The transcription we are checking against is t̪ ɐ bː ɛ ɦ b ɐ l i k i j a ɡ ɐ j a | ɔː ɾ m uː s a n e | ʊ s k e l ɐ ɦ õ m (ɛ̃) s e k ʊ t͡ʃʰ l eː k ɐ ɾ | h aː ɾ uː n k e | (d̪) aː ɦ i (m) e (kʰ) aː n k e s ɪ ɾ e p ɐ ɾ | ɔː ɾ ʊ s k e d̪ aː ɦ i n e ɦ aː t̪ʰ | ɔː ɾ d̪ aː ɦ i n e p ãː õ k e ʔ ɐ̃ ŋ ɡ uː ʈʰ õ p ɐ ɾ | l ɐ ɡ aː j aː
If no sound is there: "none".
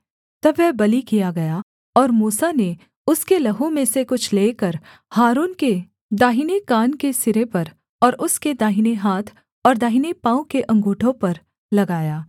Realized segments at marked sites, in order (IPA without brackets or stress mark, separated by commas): ẽ, d̪, n, k